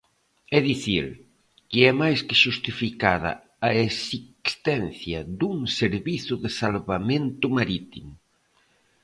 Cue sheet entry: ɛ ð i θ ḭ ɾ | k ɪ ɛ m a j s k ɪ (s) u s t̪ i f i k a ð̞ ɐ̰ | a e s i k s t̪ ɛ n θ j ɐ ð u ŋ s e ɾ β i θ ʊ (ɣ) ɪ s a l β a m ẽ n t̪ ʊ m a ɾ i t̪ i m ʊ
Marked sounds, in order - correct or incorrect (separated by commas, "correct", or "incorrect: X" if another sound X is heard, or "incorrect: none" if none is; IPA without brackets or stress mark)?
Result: incorrect: ʃ, incorrect: ð